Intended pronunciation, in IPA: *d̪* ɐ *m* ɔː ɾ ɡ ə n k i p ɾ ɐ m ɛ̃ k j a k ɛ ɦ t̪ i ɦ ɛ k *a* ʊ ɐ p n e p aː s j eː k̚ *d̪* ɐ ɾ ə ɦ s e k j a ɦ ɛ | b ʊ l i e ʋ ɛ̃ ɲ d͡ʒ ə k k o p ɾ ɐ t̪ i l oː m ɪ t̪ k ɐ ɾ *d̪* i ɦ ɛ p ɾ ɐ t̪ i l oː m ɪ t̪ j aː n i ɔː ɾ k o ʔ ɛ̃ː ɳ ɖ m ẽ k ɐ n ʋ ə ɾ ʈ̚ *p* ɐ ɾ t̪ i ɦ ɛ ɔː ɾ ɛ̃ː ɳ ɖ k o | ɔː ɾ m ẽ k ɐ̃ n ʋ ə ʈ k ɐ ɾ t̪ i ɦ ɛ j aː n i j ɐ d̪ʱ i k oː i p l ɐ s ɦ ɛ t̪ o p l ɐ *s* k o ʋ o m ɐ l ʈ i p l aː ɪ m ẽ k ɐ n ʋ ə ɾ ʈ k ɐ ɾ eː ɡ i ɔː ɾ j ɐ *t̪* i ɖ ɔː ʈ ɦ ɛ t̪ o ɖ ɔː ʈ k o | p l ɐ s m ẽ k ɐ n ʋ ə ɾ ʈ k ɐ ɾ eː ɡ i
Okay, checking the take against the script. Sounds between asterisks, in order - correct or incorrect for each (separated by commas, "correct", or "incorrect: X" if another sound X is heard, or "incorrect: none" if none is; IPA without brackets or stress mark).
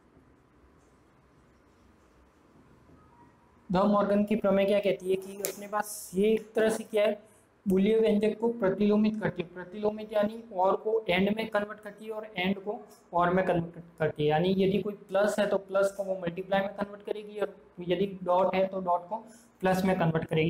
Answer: correct, correct, incorrect: i, incorrect: t̪, incorrect: t̪, incorrect: k, correct, incorrect: d̪